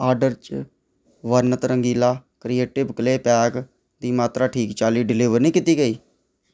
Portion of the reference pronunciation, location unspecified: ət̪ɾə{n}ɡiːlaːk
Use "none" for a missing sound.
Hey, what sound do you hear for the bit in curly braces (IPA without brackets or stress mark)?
ŋ